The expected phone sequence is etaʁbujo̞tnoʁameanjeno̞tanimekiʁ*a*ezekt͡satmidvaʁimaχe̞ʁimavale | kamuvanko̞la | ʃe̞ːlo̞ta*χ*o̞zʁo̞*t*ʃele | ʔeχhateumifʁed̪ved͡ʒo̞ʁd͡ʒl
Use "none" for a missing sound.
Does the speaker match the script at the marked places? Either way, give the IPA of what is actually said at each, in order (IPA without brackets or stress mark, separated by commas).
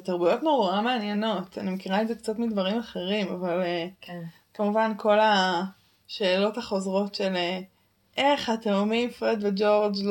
a, χ, t